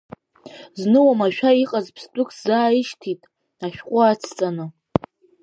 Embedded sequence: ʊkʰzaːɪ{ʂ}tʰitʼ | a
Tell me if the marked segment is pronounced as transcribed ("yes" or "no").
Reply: no